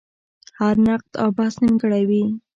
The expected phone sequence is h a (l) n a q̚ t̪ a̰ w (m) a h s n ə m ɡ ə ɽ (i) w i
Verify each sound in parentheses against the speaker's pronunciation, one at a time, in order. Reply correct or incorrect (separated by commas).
incorrect, incorrect, incorrect